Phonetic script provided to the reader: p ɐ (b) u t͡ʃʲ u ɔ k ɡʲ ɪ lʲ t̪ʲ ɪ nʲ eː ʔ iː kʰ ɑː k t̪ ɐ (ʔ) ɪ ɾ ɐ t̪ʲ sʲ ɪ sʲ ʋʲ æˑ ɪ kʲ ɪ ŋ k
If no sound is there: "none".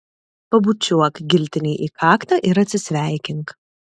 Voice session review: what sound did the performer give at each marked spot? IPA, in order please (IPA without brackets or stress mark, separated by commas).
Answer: b, ʔ